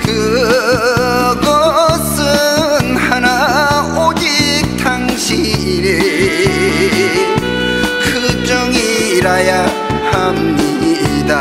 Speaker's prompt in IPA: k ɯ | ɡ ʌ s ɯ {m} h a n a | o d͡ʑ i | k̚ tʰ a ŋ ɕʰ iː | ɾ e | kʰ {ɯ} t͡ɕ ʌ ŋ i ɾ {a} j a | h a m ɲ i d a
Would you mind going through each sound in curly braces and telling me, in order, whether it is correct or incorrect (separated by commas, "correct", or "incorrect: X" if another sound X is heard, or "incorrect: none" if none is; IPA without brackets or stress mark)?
incorrect: n, correct, correct